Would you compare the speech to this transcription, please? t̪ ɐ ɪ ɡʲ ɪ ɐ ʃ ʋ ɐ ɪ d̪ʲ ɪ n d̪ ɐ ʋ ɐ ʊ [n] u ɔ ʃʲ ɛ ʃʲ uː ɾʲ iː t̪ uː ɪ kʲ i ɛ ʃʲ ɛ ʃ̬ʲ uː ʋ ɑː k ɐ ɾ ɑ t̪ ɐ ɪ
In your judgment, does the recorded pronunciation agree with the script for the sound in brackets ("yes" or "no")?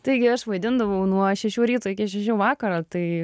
yes